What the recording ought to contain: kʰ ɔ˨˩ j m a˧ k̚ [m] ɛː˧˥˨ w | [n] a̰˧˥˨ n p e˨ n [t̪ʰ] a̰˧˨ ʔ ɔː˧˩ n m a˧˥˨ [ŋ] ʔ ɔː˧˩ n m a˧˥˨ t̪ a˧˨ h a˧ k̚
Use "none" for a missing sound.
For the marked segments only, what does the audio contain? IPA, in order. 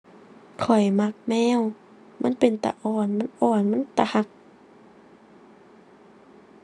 m, m, t̪, n

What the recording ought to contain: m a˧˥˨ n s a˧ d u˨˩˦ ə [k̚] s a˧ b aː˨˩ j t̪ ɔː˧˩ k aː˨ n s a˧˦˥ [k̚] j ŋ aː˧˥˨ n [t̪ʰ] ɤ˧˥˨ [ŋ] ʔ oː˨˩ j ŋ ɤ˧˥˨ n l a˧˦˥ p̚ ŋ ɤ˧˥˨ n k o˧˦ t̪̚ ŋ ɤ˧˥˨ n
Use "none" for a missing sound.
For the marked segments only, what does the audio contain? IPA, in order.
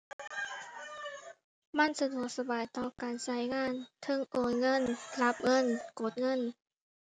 k̚, none, t̪ʰ, ŋ

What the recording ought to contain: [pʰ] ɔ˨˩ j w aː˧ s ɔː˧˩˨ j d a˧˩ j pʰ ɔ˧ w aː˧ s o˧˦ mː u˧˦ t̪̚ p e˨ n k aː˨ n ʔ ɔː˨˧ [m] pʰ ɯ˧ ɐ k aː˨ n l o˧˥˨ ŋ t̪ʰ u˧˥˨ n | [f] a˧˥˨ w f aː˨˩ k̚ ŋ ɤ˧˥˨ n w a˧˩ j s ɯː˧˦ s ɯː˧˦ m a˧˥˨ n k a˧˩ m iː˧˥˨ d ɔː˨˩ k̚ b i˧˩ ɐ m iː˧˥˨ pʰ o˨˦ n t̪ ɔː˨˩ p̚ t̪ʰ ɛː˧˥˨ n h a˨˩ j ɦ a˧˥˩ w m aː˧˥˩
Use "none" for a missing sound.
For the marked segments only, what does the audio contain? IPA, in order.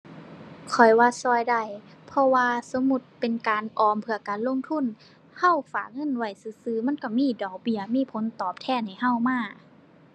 kʰ, m, h

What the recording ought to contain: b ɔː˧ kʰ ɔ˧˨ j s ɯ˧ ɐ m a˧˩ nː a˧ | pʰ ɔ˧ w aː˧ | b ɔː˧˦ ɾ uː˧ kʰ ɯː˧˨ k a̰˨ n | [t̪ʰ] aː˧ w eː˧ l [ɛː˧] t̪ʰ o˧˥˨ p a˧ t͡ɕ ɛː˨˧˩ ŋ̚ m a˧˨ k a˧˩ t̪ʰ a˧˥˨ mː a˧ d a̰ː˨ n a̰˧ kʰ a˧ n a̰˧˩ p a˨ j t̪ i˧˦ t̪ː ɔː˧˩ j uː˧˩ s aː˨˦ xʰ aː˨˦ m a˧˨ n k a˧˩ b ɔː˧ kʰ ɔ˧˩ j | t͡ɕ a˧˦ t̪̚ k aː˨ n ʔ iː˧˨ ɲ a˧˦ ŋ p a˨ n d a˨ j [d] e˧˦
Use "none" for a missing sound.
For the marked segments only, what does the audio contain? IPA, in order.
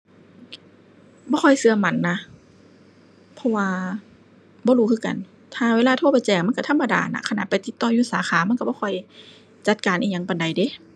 t̪ʰ, aː˧, d

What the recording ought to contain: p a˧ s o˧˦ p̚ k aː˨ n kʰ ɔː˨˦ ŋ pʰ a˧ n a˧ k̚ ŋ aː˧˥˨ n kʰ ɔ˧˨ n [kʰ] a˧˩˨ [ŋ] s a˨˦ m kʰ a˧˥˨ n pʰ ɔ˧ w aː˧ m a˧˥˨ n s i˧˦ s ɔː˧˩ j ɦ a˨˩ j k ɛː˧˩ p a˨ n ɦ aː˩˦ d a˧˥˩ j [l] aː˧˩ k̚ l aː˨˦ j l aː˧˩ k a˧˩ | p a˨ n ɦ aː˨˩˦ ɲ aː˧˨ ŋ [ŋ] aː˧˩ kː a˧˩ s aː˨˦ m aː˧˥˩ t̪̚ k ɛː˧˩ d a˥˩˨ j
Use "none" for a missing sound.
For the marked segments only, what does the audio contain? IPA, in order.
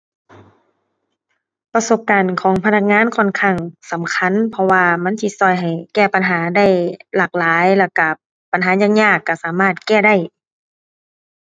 kʰ, ŋ, l, ɲ

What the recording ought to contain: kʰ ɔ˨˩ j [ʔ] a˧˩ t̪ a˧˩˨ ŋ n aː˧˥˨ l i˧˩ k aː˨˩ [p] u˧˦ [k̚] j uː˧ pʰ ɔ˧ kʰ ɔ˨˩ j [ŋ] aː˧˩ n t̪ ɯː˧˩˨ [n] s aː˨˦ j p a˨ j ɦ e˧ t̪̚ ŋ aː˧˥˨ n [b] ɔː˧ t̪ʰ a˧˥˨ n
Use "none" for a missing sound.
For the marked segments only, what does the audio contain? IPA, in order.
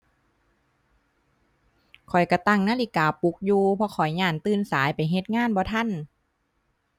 k, p, k̚, ɲ, n, b

